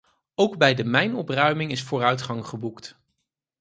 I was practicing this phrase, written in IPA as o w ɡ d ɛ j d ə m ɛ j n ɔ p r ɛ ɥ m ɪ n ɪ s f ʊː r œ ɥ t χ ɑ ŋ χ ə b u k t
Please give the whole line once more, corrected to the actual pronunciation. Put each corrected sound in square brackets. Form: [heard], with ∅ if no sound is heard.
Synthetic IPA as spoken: o w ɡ [b] ɛ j d ə m ɛ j n ɔ p r [œ] ɥ m ɪ [ŋ] ɪ s f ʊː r œ ɥ t χ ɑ ŋ χ ə b u k t